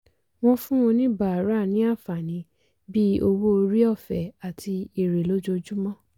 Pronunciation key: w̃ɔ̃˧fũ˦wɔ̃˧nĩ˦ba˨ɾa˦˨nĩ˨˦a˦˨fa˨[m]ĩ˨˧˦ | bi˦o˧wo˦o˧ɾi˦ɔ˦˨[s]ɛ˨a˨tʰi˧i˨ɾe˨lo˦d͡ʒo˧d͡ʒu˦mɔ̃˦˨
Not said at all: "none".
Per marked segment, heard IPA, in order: n, f

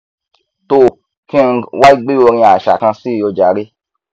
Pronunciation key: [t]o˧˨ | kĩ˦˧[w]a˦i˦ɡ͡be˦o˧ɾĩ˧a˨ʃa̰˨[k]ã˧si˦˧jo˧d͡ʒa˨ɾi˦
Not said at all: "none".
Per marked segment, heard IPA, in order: t, w, k

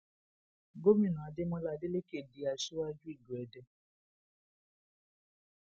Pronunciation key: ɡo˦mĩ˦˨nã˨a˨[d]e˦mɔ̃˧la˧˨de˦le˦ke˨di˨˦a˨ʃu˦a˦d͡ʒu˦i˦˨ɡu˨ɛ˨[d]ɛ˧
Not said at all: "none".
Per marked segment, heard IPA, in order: d, d

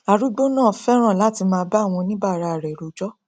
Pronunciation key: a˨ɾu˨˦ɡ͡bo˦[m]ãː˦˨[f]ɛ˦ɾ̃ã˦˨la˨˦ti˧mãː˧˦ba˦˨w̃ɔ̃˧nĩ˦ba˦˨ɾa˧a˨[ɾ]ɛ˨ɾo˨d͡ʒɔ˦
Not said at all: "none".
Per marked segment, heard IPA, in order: n, f, ɾ

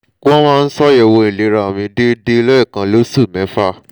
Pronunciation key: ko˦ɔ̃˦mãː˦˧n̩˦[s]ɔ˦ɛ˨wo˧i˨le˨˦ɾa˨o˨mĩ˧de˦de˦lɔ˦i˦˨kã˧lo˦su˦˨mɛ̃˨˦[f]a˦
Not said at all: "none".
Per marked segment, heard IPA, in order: s, f

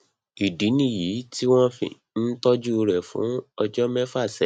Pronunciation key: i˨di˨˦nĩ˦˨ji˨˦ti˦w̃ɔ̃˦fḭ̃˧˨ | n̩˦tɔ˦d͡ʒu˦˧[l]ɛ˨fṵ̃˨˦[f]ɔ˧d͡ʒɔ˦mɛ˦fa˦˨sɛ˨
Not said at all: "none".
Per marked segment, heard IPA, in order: ɾ, none

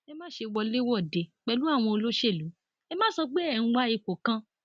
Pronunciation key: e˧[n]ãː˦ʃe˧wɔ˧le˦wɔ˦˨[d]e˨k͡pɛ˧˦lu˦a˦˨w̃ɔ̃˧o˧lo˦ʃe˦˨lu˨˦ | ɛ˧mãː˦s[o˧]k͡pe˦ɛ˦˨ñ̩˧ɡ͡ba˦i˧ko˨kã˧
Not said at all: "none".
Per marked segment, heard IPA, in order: m, d, ɔ˧

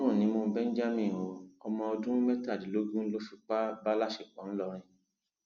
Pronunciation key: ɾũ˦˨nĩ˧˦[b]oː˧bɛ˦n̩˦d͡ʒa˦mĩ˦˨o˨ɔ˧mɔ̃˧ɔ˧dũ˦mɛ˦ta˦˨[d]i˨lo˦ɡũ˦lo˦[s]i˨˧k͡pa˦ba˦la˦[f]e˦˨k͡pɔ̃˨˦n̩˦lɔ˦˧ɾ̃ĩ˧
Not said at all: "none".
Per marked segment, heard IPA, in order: m, d, f, ʃ

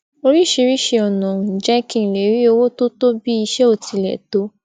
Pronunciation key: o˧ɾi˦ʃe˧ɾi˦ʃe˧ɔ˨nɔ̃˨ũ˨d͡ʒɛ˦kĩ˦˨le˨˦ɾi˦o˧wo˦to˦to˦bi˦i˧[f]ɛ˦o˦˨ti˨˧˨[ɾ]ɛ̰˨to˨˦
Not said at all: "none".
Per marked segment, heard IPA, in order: ʃ, l

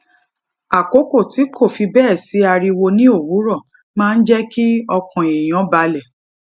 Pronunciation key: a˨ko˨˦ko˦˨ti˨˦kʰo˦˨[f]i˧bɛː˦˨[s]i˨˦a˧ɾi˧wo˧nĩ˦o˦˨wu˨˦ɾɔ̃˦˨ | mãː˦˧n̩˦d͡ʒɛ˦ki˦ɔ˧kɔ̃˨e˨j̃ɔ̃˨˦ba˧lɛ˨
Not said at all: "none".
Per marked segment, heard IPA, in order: f, s

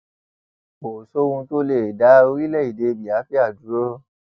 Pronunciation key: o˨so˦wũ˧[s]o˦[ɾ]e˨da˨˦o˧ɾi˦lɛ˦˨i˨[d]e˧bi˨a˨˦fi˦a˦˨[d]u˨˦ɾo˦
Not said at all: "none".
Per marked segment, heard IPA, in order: t, l, d, d

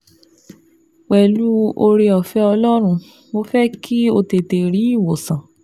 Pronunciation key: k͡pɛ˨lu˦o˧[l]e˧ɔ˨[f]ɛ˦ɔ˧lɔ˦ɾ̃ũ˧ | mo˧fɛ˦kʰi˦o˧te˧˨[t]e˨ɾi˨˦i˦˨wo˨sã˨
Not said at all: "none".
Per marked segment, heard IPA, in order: ɾ, f, t

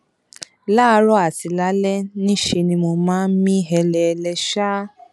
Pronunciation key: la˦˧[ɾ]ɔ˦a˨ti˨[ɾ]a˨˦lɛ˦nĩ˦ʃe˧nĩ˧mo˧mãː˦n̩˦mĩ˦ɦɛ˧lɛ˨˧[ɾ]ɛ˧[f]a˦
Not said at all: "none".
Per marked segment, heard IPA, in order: ɾ, l, l, ʃ

